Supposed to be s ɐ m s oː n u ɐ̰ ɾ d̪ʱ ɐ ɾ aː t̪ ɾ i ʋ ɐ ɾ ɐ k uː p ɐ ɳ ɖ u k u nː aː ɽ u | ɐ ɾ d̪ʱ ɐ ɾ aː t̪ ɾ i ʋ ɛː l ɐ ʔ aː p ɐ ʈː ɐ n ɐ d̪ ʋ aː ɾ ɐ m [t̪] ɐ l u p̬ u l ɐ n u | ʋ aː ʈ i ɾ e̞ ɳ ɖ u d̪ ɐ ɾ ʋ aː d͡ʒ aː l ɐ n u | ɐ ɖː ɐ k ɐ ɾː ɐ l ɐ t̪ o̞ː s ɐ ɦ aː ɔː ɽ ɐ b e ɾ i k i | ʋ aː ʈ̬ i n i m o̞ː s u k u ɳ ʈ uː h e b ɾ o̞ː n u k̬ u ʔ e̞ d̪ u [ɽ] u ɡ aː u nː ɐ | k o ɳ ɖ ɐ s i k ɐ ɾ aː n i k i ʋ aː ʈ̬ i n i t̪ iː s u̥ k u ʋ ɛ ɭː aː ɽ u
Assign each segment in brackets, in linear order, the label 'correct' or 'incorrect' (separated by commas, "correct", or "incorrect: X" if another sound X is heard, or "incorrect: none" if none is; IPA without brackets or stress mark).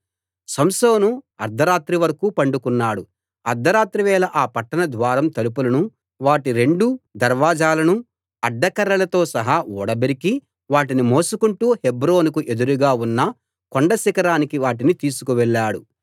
correct, incorrect: ɾ